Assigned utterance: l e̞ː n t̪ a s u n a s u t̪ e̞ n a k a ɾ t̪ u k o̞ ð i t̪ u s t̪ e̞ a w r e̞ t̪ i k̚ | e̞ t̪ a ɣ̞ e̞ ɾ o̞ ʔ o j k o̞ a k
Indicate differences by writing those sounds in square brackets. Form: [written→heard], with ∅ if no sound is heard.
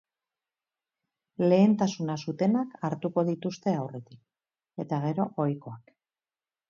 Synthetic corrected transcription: l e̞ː n t̪ a s u n a s u t̪ e̞ n a k a ɾ t̪ u k o̞ ð i t̪ u s t̪ e̞ a w r e̞ t̪ i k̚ | e̞ t̪ a ɣ̞ e̞ ɾ o̞ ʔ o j k o̞ a k

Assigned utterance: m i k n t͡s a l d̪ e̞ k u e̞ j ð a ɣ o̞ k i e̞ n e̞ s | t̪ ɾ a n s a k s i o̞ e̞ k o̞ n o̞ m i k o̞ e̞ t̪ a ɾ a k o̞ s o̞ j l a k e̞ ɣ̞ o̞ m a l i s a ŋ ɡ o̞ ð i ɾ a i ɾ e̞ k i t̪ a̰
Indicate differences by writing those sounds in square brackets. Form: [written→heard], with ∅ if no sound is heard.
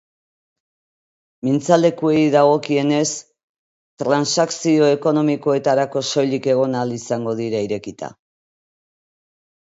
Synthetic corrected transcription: m i [k→∅] n t͡s a l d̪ e̞ k u e̞ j ð a ɣ o̞ k i e̞ n e̞ s | t̪ ɾ a n s a k s i o̞ e̞ k o̞ n o̞ m i k o̞ e̞ t̪ a ɾ a k o̞ s o̞ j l [a→i] k e̞ ɣ̞ o̞ [m→n] a l i s a ŋ ɡ o̞ ð i ɾ a i ɾ e̞ k i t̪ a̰

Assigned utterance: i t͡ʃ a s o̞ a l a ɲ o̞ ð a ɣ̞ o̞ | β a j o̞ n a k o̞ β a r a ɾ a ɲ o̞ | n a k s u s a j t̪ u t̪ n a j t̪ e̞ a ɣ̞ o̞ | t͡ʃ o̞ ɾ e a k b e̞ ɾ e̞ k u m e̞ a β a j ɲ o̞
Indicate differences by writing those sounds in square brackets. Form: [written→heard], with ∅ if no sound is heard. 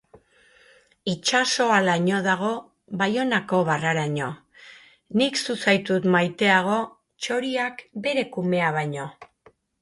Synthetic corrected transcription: i t͡ʃ a s o̞ a l a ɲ o̞ ð a ɣ̞ o̞ | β a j o̞ n a k o̞ β a r a ɾ a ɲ o̞ | n [a→i] k s u s a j t̪ u t̪ [n→m] a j t̪ e̞ a ɣ̞ o̞ | t͡ʃ o̞ ɾ [e→i] a k b e̞ ɾ e̞ k u m e̞ a β a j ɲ o̞

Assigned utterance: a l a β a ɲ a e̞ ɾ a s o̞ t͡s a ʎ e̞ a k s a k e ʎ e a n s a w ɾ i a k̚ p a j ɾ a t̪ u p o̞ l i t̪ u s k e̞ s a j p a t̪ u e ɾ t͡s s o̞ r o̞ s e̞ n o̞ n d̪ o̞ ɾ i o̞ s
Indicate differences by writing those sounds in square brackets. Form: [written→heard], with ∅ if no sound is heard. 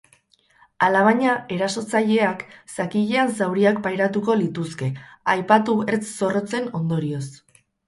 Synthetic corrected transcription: a l a β a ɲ a e̞ ɾ a s o̞ t͡s a ʎ e̞ a k s a k [e→i] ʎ e a n s a w ɾ i a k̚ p a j ɾ a t̪ u [p→k] o̞ l i t̪ u s k e̞ [s→∅] a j p a t̪ u e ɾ t͡s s o̞ r o̞ [s→t͡s] e̞ n o̞ n d̪ o̞ ɾ i o̞ s

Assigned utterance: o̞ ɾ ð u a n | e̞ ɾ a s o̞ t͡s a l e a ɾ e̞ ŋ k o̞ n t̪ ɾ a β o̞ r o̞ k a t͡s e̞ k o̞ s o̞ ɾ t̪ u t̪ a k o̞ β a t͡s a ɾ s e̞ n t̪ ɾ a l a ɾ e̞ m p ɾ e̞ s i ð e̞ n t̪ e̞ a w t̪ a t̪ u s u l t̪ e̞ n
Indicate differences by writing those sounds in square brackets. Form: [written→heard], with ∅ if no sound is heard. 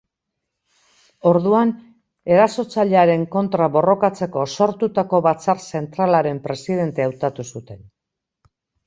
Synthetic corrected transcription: o̞ ɾ ð u a n | e̞ ɾ a s o̞ t͡s a [l→ʎ] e a ɾ e̞ ŋ k o̞ n t̪ ɾ a β o̞ r o̞ k a t͡s e̞ k o̞ s o̞ ɾ t̪ u t̪ a k o̞ β a t͡s a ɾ s e̞ n t̪ ɾ a l a ɾ e̞ m p ɾ e̞ s i ð e̞ n t̪ e̞ a w t̪ a t̪ u s u [l→∅] t̪ e̞ n

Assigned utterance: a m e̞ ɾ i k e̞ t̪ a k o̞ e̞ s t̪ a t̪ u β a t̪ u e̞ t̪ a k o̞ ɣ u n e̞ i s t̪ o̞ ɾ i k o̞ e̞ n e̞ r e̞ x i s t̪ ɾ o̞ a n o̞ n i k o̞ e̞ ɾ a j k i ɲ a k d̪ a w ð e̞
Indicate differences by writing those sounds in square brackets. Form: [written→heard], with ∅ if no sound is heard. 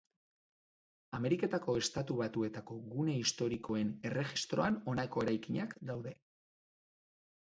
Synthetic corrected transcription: a m e̞ ɾ i k e̞ t̪ a k o̞ e̞ s t̪ a t̪ u β a t̪ u e̞ t̪ a k o̞ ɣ u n e̞ i s t̪ o̞ ɾ i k o̞ e̞ n e̞ r e̞ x i s t̪ ɾ o̞ a n o̞ n [i→a] k o̞ e̞ ɾ a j k i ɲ a k d̪ a w ð e̞

